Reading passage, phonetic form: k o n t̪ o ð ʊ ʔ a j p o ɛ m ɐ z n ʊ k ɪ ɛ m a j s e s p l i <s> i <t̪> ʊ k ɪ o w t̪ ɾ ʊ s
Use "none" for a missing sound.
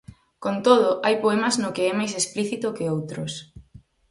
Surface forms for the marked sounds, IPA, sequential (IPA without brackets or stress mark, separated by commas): θ, t̪